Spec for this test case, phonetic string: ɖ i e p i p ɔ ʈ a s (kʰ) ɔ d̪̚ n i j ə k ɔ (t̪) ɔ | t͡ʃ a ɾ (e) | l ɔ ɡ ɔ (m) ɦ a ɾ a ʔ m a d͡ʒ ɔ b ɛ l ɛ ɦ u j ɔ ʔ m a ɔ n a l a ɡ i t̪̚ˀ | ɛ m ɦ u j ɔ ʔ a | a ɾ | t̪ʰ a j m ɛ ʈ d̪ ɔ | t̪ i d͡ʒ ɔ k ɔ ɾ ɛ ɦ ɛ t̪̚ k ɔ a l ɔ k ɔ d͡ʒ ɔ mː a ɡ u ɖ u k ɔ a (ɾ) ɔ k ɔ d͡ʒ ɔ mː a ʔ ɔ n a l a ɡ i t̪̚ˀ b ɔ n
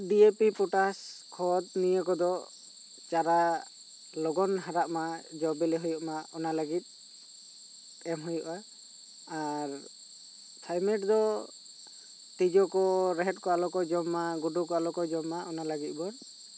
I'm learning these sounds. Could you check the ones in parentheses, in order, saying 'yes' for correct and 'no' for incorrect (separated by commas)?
yes, no, no, no, no